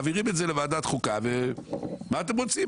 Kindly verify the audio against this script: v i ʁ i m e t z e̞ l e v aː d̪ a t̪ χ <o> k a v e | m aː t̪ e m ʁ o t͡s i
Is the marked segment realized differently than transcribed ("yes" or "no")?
yes